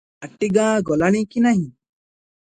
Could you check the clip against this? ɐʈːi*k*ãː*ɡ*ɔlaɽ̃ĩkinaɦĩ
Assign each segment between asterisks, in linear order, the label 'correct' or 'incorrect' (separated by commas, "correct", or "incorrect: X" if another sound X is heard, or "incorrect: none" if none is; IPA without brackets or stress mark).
incorrect: ɡ, correct